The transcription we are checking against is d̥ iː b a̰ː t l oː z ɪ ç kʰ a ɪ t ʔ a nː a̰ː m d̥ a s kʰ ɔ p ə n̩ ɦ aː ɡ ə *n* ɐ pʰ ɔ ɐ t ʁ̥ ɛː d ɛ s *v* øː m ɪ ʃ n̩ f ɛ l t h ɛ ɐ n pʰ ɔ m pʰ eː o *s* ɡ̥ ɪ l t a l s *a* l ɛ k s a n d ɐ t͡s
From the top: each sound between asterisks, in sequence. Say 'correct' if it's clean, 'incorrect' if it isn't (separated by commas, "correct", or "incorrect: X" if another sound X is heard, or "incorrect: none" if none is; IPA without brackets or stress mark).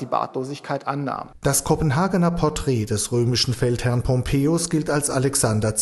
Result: correct, incorrect: ʁ, correct, correct